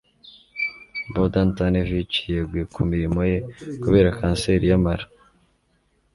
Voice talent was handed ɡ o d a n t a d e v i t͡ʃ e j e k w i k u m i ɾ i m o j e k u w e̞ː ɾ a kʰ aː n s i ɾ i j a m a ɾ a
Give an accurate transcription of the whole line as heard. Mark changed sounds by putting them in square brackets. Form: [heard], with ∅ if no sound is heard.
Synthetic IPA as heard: [b] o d a n t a [n] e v i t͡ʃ [i] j e [ɡ] w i k u m i ɾ i m o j e k u [β] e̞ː ɾ a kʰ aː n s [e] ɾ i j a m a ɾ a